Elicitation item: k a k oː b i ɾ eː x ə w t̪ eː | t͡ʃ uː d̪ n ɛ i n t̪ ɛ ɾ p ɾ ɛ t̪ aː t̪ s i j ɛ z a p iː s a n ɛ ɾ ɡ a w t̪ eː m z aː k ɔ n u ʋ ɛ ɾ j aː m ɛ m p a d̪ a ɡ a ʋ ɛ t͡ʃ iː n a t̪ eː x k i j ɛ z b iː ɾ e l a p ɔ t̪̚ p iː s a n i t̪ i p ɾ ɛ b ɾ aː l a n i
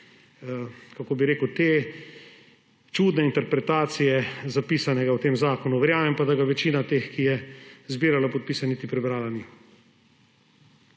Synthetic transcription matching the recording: k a k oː b i ɾ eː k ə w t̪ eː | t͡ʃ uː d̪ n ɛ i n t̪ ɛ ɾ p ɾ ɛ t̪ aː t̪ s i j ɛ z a p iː s a n ɛ ɡ a w t̪ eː m z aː k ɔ n u ʋ ɛ ɾ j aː m ɛ m p a d̪ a ɡ a ʋ ɛ t͡ʃ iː n a t̪ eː x k i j ɛ z b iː ɾ a l a p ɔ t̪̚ p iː s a n i t̪ i p ɾ ɛ b ɾ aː l a n i